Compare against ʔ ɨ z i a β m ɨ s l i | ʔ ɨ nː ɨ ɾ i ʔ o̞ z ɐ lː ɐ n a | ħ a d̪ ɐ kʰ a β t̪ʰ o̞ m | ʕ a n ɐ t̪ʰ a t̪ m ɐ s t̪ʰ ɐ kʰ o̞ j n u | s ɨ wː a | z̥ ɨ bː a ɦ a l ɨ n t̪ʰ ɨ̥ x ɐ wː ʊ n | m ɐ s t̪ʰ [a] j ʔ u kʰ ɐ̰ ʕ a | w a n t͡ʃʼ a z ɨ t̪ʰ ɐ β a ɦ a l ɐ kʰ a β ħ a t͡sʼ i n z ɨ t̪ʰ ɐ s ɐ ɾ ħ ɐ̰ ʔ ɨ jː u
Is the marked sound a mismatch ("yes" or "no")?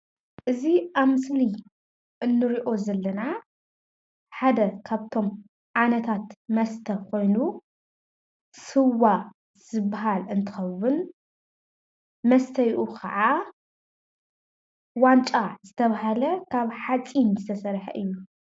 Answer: yes